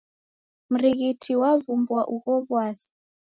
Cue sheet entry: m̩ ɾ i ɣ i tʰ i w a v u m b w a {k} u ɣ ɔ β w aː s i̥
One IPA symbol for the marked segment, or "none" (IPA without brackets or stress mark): ʔ